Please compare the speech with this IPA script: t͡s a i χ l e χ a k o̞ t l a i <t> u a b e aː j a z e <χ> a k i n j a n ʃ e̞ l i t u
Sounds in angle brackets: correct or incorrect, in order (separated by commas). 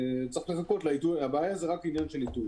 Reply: correct, incorrect